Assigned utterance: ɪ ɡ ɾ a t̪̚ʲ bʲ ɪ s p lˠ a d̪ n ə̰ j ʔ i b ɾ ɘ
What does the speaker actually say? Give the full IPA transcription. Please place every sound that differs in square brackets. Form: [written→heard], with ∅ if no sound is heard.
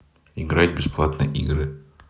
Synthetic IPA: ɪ ɡ ɾ a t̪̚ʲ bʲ ɪ s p lˠ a [d̪→t̪] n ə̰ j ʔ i [b→ɡ] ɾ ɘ